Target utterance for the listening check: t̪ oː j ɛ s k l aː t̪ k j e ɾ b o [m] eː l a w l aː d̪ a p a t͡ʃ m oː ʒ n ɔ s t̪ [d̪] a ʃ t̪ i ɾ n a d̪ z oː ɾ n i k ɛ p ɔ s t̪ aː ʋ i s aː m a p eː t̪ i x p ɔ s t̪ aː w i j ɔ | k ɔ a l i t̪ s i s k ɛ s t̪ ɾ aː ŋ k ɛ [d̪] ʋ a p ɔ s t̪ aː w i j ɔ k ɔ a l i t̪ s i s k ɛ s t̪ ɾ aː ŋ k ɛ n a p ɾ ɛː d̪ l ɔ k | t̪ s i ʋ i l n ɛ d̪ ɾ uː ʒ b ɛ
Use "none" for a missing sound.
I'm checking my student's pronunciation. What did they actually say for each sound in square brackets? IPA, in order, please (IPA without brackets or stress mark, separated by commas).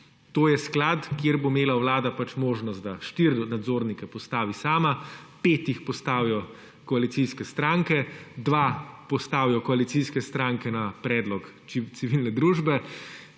m, d̪, d̪